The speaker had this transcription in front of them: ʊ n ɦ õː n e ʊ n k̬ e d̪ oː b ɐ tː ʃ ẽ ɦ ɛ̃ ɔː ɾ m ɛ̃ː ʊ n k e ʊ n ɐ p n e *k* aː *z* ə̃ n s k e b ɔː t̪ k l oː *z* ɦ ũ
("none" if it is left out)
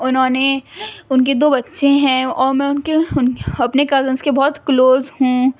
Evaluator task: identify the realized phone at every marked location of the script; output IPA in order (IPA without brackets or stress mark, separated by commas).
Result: k, z, z